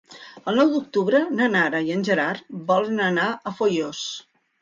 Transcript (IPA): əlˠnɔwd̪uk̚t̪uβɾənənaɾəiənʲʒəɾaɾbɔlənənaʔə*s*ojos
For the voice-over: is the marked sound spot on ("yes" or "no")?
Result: no